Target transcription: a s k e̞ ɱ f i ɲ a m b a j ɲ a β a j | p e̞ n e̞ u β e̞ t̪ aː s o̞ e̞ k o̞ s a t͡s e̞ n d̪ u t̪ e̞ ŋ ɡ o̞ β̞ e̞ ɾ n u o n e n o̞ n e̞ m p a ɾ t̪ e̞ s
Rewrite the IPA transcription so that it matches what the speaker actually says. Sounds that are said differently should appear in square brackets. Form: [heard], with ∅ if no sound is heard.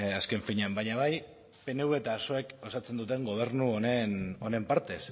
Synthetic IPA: a s k e̞ ɱ f i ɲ a m b a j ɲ a β a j | p e̞ n e̞ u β e̞ t̪ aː s o̞ e̞ k o̞ s a t͡s e̞ n d̪ u t̪ e̞ ŋ ɡ o̞ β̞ e̞ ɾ n u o n e n o̞ n e̞ m p a ɾ t̪ e̞ s